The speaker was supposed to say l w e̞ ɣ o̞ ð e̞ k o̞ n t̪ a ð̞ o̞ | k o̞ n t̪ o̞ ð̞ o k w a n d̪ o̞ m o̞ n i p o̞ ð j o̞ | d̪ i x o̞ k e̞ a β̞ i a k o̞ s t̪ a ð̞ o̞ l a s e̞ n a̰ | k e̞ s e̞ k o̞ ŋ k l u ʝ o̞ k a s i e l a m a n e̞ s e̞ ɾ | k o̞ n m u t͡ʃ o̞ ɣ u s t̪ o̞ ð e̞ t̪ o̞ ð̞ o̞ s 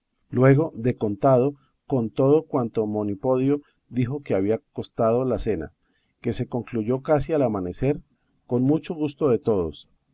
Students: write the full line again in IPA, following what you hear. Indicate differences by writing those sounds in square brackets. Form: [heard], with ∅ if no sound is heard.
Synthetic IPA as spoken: l w e̞ ɣ o̞ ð e̞ k o̞ n t̪ a ð̞ o̞ | k o̞ n t̪ o̞ ð̞ o k w a n [t̪] o̞ m o̞ n i p o̞ ð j o̞ | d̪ i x o̞ k e̞ a β̞ i a k o̞ s t̪ a ð̞ o̞ l a s e̞ n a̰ | k e̞ s e̞ k o̞ ŋ k l u ʝ o̞ k a s i [a] l a m a n e̞ s e̞ ɾ | k o̞ n m u t͡ʃ o̞ ɣ u s t̪ o̞ ð e̞ t̪ o̞ ð̞ o̞ s